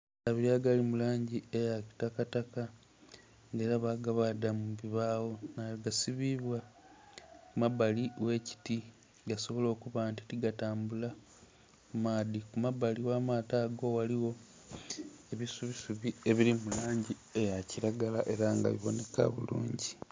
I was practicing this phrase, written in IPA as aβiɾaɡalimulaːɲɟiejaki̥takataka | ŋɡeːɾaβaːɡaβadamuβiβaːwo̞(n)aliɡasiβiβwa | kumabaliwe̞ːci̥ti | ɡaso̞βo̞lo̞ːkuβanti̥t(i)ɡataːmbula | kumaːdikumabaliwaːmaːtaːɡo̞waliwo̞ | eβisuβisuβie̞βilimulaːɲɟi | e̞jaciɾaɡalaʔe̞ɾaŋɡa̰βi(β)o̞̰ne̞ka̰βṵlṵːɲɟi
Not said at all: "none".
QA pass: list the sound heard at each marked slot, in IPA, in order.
n, i, β

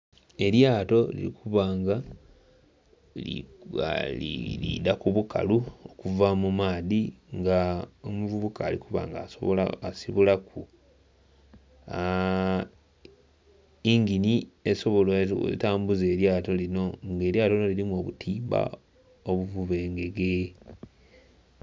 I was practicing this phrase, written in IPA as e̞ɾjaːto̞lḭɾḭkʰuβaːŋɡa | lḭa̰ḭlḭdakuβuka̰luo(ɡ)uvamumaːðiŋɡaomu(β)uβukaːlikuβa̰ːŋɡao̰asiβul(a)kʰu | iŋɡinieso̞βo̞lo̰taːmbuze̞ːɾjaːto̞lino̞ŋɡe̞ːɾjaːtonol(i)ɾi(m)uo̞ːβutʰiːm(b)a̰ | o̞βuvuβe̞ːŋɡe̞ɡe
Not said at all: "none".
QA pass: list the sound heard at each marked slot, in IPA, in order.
k, v, a, i, m, b

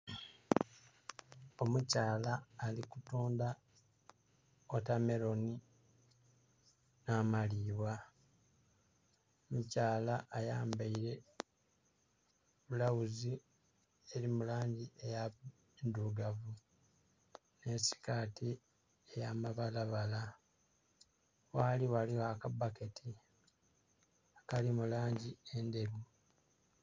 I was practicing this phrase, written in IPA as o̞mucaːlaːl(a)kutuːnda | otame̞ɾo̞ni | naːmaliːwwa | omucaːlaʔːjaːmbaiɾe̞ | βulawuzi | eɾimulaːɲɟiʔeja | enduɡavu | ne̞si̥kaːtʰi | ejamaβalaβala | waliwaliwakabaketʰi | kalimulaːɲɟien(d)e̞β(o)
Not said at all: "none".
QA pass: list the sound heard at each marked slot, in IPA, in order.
i, d, u

